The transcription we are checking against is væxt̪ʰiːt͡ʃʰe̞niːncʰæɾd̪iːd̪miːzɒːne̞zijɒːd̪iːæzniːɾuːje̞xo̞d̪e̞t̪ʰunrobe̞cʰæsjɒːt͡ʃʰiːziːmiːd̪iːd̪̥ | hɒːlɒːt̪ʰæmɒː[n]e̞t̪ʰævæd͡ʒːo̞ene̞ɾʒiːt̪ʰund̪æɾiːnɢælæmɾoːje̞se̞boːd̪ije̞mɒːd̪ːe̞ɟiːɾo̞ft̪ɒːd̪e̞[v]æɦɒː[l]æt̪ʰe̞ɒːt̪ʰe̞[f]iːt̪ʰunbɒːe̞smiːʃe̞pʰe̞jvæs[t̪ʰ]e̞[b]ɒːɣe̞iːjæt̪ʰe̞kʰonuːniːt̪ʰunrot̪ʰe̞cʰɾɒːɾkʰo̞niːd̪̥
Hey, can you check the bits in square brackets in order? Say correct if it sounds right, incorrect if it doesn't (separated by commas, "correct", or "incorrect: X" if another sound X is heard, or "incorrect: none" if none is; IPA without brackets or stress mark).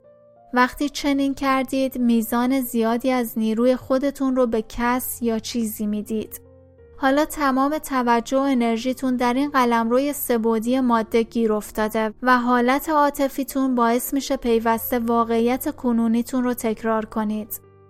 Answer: incorrect: m, correct, correct, correct, incorrect: t̪, incorrect: v